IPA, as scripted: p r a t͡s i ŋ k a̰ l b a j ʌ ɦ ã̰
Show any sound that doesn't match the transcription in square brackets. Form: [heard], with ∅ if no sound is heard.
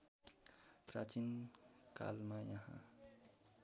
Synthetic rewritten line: p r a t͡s i [n] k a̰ l [m] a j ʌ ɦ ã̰